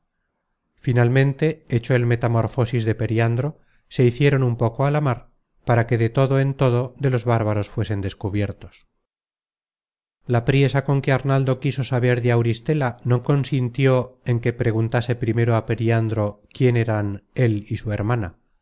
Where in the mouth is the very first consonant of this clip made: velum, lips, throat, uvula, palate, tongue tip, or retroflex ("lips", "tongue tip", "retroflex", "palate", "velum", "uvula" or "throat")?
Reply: lips